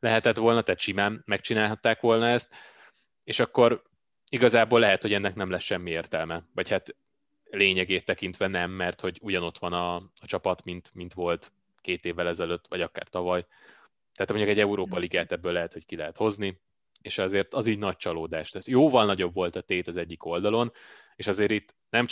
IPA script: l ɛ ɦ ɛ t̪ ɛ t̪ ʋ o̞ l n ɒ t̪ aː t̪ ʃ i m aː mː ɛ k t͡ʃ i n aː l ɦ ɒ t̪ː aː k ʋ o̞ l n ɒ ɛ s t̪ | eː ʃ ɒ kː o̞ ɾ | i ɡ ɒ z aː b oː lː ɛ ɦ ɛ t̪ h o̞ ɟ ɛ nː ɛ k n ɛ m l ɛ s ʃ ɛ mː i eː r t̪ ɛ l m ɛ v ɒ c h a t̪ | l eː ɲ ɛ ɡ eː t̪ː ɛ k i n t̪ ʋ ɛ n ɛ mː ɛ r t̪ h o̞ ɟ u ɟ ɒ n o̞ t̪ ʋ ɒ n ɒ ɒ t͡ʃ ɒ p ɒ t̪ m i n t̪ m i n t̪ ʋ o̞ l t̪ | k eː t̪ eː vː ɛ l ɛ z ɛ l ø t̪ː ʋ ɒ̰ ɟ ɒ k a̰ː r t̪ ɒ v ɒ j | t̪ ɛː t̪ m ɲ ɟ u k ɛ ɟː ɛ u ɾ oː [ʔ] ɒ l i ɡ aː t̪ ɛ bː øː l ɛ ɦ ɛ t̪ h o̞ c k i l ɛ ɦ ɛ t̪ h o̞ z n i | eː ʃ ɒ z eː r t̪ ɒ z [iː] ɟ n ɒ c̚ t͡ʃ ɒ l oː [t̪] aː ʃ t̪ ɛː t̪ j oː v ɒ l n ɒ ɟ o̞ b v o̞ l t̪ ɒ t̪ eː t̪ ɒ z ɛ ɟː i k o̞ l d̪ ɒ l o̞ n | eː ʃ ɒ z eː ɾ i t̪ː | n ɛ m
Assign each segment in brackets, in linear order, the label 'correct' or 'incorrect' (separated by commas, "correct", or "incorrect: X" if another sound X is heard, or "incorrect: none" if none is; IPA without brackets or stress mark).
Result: incorrect: p, correct, incorrect: d̪